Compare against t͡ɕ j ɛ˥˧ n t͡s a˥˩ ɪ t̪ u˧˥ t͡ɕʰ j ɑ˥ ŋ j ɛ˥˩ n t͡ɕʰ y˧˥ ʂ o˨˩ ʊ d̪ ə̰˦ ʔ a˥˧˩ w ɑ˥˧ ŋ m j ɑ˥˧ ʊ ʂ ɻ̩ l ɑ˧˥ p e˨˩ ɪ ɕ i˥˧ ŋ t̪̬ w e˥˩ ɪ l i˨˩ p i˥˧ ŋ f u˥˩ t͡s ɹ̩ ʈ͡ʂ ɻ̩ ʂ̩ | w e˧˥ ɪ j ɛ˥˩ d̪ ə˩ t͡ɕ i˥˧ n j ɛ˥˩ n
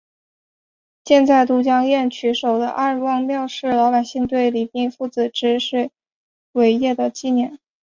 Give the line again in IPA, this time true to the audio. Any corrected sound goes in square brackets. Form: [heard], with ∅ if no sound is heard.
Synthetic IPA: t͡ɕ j ɛ˥˧ n t͡s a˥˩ ɪ t̪ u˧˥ [t͡ɕ] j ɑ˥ ŋ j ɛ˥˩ n t͡ɕʰ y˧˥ ʂ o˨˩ ʊ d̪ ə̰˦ ʔ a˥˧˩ w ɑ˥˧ ŋ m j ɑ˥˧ ʊ ʂ ɻ̩ l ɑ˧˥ p [a˨˩] ɪ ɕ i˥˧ ŋ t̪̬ w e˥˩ ɪ l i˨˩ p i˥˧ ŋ f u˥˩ t͡s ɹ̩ ʈ͡ʂ ɻ̩ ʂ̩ | w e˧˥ ɪ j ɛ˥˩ d̪ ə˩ t͡ɕ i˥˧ n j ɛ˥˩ n